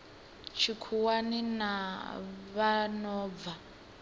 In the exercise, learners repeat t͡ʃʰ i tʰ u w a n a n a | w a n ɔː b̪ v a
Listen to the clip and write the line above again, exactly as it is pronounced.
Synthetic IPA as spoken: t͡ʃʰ i kʰ u w a n i n a | β a n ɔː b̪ v a